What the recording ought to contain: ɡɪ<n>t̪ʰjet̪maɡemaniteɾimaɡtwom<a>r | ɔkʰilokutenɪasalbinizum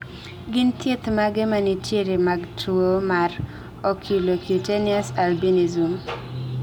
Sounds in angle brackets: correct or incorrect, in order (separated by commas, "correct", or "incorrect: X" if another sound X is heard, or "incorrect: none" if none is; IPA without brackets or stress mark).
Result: correct, correct